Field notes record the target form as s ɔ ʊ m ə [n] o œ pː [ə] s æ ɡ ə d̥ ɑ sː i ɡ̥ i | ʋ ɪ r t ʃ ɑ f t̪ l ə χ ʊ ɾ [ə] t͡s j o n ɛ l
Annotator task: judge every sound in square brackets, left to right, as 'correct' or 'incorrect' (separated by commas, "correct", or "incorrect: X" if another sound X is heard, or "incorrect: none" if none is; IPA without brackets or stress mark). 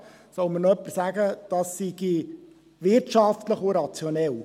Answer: correct, correct, incorrect: ɑ